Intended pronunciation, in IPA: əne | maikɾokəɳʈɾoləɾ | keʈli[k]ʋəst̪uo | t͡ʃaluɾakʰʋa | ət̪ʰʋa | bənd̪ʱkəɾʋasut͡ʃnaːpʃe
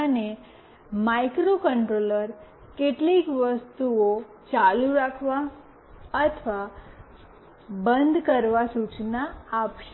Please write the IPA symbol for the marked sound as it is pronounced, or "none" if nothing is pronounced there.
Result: k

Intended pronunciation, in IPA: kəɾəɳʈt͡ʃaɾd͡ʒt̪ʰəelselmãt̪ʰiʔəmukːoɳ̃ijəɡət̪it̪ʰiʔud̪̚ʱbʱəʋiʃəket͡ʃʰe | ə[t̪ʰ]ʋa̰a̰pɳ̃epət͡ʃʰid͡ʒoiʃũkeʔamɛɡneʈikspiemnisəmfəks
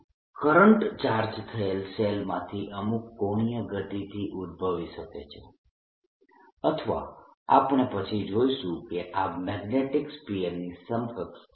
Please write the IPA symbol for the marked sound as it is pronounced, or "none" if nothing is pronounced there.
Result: t̪ʰ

